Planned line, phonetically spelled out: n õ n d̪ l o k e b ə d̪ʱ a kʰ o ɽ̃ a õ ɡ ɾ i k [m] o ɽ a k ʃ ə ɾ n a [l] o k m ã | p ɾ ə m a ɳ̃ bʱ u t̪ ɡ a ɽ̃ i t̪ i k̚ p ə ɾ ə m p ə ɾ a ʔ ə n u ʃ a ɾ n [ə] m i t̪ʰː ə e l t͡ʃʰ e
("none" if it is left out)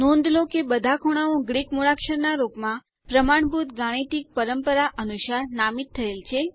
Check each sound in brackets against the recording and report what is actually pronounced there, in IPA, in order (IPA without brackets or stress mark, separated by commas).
m, ɾ, a